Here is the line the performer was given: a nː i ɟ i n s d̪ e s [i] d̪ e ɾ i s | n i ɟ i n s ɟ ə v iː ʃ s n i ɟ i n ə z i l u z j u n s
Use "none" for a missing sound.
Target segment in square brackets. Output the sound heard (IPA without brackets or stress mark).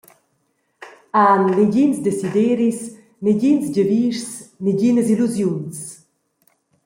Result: i